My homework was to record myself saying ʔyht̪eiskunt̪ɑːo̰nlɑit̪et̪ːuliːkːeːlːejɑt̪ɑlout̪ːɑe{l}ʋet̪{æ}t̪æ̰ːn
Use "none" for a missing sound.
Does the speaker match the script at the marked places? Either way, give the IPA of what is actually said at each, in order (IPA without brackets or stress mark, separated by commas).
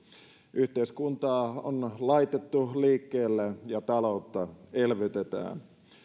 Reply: l, e